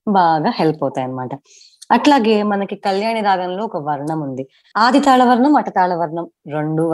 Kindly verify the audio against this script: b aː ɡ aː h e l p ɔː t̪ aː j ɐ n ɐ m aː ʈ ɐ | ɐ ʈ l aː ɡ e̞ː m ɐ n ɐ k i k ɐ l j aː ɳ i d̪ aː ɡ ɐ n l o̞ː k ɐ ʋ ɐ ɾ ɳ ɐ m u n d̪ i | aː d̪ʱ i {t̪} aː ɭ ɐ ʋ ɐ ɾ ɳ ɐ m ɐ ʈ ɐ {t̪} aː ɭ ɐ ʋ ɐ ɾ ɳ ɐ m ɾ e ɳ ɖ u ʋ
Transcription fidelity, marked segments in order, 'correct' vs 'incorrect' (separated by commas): correct, correct